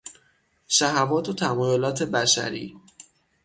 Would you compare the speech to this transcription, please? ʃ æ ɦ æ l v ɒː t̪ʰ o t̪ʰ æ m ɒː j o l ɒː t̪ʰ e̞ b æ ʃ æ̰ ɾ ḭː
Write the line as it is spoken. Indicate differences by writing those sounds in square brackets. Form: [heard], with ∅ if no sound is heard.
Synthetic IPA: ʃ æ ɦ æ [∅] v ɒː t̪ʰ o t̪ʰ æ m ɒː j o l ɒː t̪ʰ e̞ b æ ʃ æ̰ ɾ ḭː